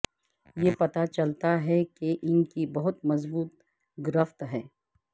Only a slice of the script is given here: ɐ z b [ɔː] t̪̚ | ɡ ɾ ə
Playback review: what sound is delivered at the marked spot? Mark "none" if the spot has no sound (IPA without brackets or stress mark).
uː